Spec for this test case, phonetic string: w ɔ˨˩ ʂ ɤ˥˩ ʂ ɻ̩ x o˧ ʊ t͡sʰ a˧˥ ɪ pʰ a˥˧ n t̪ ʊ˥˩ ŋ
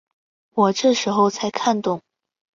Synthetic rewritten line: w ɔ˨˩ ʈ͡ʂ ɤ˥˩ ʂ ɻ̩ x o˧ ʊ t͡sʰ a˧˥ ɪ kʰ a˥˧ n t̪ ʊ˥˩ ŋ